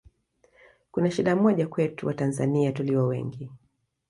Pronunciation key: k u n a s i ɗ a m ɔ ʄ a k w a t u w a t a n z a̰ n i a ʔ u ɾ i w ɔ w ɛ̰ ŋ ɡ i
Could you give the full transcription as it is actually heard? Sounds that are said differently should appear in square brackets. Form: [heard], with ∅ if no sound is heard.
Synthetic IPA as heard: k u n a [ʃ] i ɗ a m ɔ ʄ a k w [ɛ] t u w a t a n z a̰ n i a [t] u [l] i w ɔ w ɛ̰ ŋ ɡ i